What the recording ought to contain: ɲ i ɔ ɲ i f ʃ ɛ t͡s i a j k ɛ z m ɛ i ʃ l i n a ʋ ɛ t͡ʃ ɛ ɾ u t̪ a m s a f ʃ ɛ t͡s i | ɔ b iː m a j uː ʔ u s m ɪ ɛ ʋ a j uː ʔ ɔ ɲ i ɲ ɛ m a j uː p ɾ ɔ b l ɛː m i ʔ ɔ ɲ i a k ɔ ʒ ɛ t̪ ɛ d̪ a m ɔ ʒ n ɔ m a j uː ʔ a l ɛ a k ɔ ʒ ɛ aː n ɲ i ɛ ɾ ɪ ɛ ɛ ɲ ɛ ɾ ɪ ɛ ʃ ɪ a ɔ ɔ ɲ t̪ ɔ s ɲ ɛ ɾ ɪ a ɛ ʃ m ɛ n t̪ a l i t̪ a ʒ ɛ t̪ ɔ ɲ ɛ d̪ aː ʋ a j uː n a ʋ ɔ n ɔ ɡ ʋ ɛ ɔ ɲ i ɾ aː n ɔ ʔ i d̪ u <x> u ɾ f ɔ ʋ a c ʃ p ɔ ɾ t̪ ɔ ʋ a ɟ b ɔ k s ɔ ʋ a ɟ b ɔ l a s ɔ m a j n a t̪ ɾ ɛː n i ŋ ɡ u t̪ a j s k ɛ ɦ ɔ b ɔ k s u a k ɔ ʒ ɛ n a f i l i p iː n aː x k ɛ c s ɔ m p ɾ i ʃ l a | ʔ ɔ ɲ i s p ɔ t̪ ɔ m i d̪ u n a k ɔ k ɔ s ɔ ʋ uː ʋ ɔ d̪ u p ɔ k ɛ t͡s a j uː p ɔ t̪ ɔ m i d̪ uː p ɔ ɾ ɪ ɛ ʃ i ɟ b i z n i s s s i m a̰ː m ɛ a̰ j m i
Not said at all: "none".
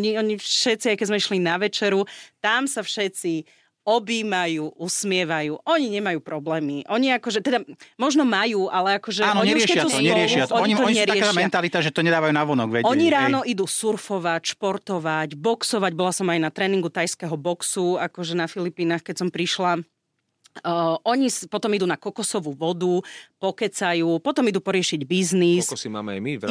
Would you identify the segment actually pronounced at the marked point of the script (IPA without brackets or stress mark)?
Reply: s